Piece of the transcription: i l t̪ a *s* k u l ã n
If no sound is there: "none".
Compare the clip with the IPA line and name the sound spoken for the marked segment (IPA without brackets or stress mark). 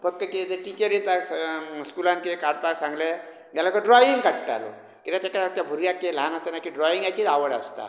s